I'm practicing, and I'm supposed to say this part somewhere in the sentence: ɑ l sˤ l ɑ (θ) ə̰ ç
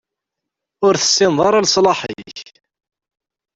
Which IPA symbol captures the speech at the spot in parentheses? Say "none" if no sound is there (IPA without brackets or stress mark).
ħ